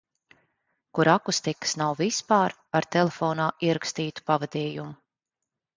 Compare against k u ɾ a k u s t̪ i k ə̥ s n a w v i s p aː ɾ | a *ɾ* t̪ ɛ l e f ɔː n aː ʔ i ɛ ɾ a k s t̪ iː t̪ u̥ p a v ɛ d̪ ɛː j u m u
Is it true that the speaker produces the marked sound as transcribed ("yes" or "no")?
yes